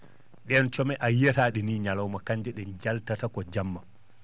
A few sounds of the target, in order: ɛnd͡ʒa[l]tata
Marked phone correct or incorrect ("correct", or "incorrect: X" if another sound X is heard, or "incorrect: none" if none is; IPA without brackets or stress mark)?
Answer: correct